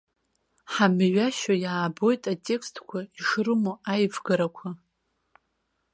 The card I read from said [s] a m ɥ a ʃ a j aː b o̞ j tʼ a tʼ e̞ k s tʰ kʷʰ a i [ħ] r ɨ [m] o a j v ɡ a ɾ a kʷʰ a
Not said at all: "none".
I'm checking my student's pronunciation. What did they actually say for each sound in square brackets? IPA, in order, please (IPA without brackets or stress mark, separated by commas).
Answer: ħ, ʂ, m